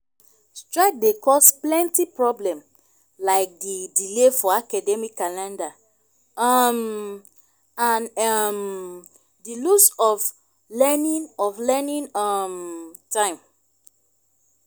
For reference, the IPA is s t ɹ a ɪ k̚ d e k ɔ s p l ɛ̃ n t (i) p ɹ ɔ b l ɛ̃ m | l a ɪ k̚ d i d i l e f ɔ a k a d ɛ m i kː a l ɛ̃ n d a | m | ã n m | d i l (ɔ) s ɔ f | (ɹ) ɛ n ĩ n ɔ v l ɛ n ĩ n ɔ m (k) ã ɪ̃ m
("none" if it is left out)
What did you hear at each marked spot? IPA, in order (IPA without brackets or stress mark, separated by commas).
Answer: i, u, l, t